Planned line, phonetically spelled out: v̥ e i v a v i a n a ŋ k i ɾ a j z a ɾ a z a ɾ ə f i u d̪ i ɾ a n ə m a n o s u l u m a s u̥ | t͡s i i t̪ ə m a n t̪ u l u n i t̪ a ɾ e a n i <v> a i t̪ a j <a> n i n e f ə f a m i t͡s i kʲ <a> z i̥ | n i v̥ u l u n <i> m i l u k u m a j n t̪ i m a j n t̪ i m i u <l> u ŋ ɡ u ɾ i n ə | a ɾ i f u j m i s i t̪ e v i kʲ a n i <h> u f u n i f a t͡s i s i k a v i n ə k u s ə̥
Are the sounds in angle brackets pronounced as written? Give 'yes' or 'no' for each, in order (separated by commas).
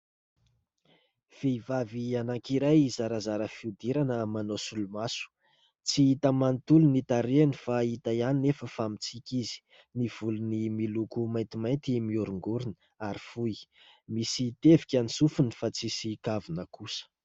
no, yes, no, yes, no, no